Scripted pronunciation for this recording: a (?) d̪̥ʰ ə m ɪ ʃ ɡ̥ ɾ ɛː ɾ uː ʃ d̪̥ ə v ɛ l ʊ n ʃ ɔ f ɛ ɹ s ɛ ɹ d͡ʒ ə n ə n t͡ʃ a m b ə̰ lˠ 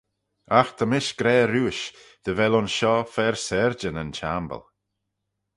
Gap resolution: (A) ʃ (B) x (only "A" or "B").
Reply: B